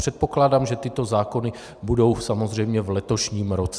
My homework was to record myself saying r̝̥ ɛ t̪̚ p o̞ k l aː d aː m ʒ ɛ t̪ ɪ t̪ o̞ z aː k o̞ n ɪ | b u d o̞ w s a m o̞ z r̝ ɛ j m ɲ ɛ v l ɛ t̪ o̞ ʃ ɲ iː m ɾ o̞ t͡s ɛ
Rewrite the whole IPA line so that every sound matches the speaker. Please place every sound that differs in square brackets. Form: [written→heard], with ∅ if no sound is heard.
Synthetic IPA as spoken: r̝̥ ɛ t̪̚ p o̞ k l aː d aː m ʒ ɛ t̪ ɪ t̪ o̞ z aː k o̞ n ɪ | b u d o̞ w s a m o̞ z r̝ ɛ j m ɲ ɛ v l ɛ t̪ o̞ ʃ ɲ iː m ɾ o̞ t͡s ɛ